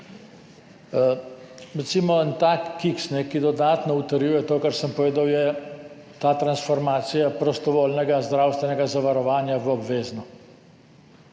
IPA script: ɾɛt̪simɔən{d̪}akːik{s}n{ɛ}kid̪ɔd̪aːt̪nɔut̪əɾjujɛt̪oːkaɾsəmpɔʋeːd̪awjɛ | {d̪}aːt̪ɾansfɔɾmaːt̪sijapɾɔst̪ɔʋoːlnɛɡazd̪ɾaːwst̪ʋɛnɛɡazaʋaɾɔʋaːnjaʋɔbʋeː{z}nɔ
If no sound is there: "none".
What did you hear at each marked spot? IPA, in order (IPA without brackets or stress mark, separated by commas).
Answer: t̪, s, ɛ, t̪, z